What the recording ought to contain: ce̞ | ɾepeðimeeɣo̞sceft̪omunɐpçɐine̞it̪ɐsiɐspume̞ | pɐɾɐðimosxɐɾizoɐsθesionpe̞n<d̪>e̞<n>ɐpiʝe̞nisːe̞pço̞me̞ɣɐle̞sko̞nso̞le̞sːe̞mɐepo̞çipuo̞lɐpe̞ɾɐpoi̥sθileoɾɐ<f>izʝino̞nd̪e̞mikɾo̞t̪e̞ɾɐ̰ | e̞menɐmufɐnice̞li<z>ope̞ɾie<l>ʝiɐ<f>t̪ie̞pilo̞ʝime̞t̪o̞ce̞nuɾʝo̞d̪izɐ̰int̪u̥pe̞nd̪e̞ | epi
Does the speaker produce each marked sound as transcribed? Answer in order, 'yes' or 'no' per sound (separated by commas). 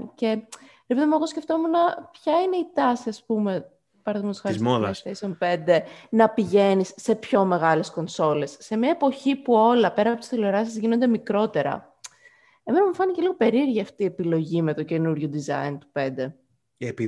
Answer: yes, yes, no, no, no, yes